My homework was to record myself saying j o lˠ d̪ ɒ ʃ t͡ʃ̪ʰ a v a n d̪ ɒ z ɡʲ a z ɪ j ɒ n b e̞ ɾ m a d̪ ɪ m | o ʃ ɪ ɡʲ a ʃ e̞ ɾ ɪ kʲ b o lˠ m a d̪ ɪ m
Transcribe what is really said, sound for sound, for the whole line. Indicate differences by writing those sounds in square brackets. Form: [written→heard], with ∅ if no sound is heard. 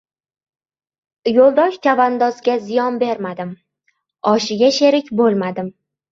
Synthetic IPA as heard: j o lˠ d̪ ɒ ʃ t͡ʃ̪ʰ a v a n d̪ ɒ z ɡʲ a z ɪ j ɒ n b e̞ ɾ m a d̪ ɪ m | [o→ɒ] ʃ ɪ ɡʲ a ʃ e̞ ɾ ɪ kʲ b o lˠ m a d̪ ɪ m